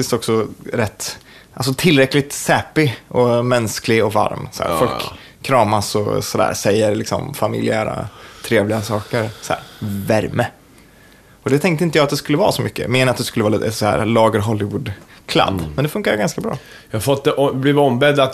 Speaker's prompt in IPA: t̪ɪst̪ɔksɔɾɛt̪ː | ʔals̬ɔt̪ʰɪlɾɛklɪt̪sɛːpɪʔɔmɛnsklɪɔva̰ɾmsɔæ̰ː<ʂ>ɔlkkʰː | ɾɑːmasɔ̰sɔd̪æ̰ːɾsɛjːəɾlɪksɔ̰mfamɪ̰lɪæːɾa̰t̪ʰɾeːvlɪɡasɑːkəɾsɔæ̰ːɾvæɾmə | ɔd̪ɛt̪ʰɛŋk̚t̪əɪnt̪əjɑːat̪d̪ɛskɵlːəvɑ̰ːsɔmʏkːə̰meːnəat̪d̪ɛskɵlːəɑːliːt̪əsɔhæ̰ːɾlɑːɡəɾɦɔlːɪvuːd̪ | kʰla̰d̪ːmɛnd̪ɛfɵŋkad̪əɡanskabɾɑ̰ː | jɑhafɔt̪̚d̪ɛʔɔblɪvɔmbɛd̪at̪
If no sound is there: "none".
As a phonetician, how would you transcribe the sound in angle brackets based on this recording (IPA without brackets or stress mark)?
f